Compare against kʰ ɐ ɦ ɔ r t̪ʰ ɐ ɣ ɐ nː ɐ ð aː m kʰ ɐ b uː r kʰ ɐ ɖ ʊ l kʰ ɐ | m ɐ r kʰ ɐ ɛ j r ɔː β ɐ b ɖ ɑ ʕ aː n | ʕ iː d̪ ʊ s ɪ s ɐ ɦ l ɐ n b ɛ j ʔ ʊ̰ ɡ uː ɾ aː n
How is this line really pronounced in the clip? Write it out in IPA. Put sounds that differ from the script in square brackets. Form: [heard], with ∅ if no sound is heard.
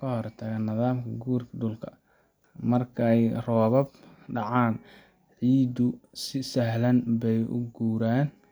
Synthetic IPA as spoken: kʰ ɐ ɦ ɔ r t̪ʰ ɐ ɣ ɐ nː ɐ ð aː m kʰ ɐ [ɡ] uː r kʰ ɐ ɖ ʊ l kʰ ɐ | m ɐ r kʰ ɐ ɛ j r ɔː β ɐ b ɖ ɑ ʕ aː n | ʕ iː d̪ ʊ s ɪ s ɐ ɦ l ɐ n b ɛ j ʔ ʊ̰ ɡ uː ɾ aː n